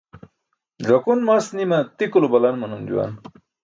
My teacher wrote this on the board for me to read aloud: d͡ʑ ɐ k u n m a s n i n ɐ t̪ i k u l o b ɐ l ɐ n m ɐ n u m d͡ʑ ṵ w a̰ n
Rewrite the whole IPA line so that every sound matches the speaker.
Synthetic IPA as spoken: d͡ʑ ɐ k u n m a s n i m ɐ t̪ i k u l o b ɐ l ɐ n m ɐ n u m d͡ʑ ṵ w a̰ n